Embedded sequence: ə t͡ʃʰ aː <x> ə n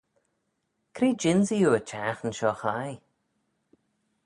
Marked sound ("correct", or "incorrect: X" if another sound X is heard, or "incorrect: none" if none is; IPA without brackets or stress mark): correct